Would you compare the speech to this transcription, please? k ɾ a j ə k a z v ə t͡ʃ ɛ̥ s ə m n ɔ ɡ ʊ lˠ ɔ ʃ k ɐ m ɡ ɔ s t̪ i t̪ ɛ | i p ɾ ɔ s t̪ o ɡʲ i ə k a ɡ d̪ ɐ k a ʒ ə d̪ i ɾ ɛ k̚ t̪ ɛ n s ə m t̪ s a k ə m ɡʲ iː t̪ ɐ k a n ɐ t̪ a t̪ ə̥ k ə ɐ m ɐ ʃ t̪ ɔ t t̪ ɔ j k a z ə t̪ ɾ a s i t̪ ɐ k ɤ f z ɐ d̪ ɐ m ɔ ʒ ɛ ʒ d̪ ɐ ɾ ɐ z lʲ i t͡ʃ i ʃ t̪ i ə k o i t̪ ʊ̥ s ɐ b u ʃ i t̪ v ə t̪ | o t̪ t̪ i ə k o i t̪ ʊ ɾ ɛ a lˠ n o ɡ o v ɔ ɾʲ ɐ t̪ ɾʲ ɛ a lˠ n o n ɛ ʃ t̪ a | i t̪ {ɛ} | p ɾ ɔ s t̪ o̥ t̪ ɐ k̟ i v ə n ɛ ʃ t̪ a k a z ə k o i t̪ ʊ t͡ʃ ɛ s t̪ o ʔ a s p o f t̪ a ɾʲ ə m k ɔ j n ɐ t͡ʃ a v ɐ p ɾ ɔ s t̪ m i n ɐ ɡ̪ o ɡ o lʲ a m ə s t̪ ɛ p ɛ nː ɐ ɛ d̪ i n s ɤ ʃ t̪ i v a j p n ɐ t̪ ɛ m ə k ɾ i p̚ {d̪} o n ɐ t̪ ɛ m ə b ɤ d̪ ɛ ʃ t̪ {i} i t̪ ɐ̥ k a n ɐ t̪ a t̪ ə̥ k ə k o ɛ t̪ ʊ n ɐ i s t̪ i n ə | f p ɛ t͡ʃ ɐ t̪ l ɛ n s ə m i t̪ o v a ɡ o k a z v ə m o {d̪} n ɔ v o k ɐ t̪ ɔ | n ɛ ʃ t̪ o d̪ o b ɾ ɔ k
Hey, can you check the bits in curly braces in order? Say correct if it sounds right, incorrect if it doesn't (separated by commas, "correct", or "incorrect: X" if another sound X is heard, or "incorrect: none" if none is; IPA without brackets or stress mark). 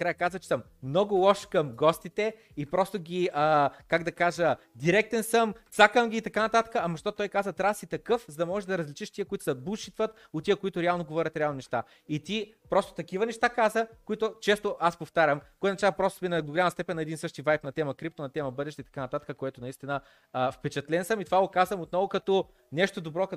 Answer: incorrect: i, incorrect: t̪, incorrect: ɛ, incorrect: t̪